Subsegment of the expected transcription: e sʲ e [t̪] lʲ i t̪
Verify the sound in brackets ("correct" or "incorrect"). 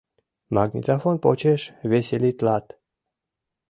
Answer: incorrect